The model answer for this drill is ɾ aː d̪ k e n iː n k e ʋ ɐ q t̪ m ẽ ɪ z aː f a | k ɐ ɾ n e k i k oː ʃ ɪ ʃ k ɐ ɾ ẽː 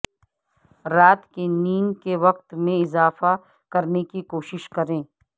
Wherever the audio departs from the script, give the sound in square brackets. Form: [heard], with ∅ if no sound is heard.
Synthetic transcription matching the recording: ɾ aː [t̪] k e n iː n k e ʋ ɐ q t̪ m ẽ ɪ z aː f a | k ɐ ɾ n e k i k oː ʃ ɪ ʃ k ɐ ɾ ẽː